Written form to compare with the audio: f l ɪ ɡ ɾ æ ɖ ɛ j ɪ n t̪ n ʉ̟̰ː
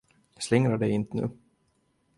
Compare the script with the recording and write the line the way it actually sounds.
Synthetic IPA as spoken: s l ɪ ŋ ɾ a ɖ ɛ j ɪ n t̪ n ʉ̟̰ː